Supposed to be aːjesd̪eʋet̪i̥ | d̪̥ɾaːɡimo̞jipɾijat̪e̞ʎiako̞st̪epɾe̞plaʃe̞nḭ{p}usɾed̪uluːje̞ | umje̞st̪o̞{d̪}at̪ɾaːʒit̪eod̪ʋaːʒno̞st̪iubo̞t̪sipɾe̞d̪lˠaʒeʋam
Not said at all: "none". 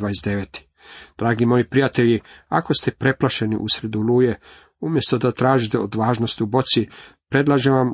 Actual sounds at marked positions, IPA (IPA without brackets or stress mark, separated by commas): ʔ, d̪